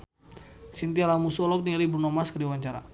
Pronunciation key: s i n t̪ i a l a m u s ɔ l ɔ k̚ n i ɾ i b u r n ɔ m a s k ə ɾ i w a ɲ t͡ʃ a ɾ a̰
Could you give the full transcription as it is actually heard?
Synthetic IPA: s i n t̪ i a l a m u s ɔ l ɔ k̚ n i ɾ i b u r n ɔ m a s k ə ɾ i w a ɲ t͡ʃ a ɾ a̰